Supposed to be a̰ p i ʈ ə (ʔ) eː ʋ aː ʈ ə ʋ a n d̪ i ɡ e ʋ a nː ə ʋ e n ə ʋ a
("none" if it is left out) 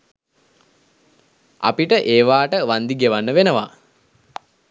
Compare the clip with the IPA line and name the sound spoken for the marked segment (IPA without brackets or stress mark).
ʔ